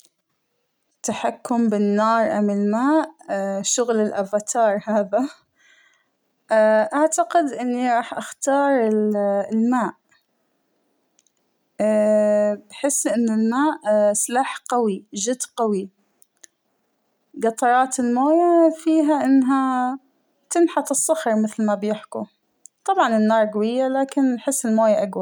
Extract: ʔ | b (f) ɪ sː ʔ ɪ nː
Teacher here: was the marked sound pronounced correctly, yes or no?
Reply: no